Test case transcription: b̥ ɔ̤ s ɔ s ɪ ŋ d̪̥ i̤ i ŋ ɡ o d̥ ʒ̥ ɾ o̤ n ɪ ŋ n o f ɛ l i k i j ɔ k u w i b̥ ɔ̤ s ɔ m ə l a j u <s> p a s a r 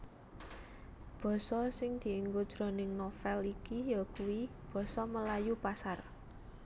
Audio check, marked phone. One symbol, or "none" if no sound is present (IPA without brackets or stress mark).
none